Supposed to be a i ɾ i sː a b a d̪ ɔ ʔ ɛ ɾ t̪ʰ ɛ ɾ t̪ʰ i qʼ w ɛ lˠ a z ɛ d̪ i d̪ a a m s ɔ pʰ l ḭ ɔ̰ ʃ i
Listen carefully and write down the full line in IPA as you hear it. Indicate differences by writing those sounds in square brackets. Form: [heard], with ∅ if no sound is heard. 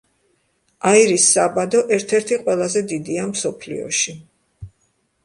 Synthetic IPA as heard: a i ɾ i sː a b a d̪ ɔ ʔ ɛ ɾ t̪ʰ ɛ ɾ t̪ʰ i qʼ w ɛ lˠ a z ɛ d̪ i d̪ [i] a m s ɔ pʰ l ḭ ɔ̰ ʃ i